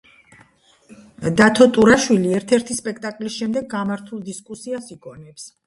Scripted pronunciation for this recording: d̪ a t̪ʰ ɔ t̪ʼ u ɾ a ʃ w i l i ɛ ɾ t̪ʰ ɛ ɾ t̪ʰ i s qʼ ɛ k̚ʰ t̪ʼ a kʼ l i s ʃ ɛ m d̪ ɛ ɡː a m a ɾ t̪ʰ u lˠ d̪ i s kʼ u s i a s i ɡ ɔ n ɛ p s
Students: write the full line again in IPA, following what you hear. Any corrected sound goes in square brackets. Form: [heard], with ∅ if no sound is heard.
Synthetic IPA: d̪ a t̪ʰ ɔ t̪ʼ u ɾ a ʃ w i l i ɛ ɾ t̪ʰ ɛ ɾ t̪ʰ i s [pʼ] ɛ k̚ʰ t̪ʼ a kʼ l i s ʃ ɛ m d̪ ɛ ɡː a m a ɾ t̪ʰ u lˠ d̪ i s kʼ u s i a s i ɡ ɔ n ɛ p s